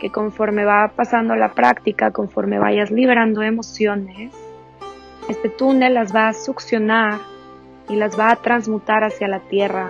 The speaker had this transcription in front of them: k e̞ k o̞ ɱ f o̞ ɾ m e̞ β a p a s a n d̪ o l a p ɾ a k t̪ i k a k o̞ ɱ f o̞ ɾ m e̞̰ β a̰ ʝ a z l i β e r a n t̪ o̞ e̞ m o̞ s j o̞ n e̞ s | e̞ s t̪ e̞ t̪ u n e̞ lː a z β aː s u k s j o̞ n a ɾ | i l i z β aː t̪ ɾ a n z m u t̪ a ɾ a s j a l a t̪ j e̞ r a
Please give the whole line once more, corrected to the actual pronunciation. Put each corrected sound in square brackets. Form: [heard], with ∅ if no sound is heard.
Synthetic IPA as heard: k e̞ k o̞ ɱ f o̞ ɾ m e̞ β a p a s a n d̪ o l a p ɾ a k t̪ i k a k o̞ ɱ f o̞ ɾ m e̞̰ β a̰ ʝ a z l i β e [ɾ] a n [d̪] o̞ e̞ m o̞ s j o̞ n e̞ s | e̞ s t̪ e̞ t̪ u n e̞ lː a z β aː s u k s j o̞ n a ɾ | i l [a] z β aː t̪ ɾ a n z m u t̪ a ɾ a s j a l a t̪ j e̞ r a